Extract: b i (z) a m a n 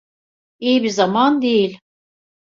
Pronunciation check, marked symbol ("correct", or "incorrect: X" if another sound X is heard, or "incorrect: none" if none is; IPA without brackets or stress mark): correct